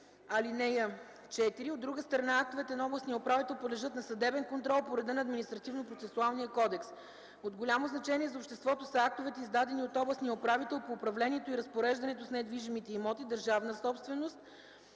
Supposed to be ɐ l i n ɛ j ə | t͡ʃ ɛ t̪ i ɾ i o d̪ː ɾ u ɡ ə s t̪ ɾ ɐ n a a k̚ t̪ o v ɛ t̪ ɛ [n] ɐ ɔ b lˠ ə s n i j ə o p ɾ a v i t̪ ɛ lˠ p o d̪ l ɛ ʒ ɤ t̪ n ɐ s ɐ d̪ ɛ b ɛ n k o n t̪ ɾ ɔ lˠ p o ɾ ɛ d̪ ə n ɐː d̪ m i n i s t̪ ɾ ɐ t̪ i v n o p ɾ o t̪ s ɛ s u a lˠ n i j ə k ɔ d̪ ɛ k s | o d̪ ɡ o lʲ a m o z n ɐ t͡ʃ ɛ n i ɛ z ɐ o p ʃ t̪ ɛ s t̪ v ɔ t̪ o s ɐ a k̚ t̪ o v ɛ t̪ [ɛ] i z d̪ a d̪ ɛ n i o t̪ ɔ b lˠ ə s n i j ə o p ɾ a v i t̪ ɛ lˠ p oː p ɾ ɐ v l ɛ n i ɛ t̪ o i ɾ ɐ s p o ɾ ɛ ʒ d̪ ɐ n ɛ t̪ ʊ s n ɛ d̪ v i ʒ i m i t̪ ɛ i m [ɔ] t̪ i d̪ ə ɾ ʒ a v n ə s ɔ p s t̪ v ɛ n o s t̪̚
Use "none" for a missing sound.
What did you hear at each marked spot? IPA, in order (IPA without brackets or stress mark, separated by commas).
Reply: n, ɛ, ɔ